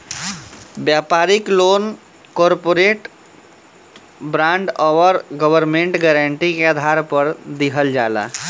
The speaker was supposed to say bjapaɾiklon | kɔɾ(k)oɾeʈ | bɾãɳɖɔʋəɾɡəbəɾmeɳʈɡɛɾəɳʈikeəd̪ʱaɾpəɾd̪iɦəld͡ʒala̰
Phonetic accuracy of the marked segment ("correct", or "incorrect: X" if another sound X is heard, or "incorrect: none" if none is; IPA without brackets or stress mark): incorrect: p